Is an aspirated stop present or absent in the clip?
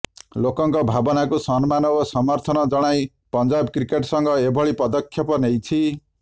present